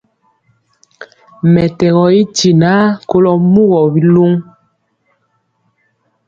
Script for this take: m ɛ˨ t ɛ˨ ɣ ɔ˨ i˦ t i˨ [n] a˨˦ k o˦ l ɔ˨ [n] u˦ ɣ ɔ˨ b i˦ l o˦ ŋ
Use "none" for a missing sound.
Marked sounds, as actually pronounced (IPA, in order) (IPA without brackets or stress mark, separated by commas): n, m